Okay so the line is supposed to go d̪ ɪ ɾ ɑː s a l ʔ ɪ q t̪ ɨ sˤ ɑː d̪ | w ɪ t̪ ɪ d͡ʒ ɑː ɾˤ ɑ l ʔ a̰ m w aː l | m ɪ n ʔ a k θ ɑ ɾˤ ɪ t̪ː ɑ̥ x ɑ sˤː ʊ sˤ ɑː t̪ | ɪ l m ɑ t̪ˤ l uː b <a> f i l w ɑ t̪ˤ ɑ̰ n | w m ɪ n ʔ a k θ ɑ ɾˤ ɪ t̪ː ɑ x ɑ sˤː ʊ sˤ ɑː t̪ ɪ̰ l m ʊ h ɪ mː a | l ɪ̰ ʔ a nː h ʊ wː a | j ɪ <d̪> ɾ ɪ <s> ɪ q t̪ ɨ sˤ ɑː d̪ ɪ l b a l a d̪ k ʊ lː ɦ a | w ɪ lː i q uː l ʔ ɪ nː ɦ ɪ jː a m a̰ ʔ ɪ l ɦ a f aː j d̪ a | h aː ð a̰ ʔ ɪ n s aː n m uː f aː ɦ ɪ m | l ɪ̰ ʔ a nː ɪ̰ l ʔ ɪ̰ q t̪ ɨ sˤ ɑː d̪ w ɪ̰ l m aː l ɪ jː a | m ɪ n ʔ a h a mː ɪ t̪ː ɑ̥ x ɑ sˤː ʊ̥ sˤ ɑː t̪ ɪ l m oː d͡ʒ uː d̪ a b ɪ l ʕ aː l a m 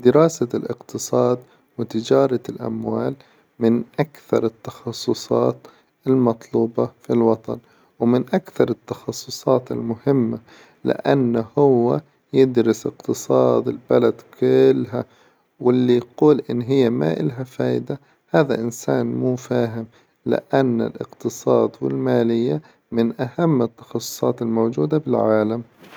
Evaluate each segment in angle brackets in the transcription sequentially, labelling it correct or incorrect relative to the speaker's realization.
incorrect: ɑ, correct, correct

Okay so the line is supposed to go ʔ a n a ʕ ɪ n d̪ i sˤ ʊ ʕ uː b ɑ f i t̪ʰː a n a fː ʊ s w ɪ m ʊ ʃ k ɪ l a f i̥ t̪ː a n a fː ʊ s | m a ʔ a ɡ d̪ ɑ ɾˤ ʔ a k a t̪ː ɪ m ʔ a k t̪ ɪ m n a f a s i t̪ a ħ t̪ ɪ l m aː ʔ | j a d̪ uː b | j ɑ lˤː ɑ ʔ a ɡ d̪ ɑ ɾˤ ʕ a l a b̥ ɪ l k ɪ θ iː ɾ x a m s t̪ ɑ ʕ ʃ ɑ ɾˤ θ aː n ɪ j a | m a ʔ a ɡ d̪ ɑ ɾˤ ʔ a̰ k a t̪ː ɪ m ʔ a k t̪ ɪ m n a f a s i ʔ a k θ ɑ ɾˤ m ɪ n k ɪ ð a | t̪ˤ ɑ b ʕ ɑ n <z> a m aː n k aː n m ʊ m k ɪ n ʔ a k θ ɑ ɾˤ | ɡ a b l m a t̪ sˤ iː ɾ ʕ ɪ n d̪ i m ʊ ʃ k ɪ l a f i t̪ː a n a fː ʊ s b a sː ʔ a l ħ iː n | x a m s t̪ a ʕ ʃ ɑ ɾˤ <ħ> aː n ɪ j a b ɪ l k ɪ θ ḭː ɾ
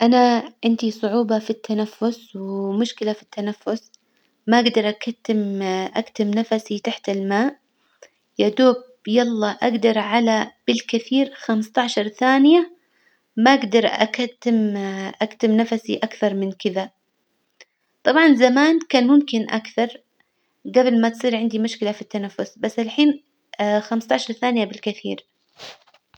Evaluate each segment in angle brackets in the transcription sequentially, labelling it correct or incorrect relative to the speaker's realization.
correct, incorrect: θ

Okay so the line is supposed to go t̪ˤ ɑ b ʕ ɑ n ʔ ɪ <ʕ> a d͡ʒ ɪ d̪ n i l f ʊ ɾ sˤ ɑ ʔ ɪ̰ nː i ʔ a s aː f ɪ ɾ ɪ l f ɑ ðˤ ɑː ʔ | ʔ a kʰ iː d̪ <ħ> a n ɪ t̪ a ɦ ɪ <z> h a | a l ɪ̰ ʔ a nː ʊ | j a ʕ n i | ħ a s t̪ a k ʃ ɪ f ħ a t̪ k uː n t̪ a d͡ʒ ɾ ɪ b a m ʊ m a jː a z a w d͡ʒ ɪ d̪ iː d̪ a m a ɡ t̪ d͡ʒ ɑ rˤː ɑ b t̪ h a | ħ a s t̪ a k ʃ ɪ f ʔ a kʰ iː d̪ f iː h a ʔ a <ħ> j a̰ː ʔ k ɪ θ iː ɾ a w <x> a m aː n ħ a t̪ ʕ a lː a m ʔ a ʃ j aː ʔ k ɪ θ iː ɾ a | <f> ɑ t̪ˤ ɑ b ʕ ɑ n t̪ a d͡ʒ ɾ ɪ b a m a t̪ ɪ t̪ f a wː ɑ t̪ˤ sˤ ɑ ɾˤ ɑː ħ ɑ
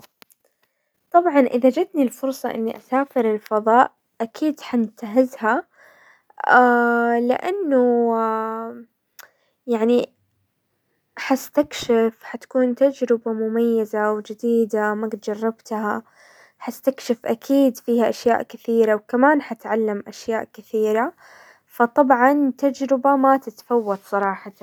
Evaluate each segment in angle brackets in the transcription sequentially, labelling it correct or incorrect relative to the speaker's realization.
incorrect: ð, correct, correct, incorrect: ʃ, incorrect: k, correct

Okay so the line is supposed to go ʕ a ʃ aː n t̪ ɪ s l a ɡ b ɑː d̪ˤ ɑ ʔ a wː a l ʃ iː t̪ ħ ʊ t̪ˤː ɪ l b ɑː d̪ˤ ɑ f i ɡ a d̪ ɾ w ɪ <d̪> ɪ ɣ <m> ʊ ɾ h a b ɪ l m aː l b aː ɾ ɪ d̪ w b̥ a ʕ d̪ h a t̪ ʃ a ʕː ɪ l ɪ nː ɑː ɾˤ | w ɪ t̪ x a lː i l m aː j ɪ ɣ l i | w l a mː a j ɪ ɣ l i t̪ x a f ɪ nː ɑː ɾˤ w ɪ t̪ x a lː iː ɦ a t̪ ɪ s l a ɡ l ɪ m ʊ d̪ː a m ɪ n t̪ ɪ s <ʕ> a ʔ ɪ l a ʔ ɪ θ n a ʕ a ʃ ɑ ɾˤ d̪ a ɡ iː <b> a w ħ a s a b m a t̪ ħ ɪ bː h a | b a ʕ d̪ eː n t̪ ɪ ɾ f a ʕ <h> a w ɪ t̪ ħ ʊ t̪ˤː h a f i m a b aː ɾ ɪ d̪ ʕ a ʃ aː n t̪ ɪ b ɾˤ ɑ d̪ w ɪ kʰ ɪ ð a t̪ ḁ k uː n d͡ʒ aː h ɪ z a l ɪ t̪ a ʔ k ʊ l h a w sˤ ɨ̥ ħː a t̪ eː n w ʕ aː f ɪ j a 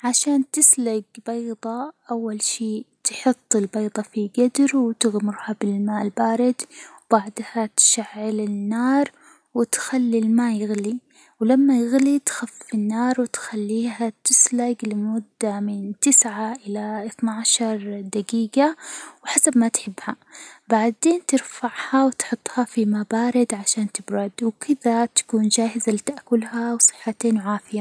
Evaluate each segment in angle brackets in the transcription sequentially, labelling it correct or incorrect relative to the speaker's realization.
incorrect: t̪, correct, correct, incorrect: ɡ, correct

